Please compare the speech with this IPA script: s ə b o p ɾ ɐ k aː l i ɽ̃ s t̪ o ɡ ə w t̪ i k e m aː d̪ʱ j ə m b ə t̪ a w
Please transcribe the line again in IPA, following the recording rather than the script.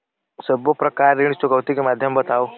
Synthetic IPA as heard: s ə b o p ɾ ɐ k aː ɾ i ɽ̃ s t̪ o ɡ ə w t̪ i k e m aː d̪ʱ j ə m b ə t̪ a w